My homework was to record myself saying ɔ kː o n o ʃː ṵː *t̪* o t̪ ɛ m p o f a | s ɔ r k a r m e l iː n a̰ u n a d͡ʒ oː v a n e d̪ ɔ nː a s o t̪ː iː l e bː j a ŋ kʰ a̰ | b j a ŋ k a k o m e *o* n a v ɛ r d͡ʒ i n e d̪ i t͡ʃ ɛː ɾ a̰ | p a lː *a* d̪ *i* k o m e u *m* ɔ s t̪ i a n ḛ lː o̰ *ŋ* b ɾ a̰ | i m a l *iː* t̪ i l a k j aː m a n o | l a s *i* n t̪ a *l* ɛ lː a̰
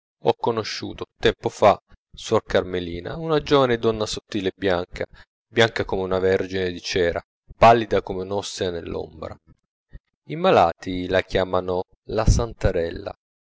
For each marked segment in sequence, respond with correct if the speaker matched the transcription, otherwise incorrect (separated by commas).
correct, incorrect, incorrect, incorrect, incorrect, incorrect, incorrect, incorrect, incorrect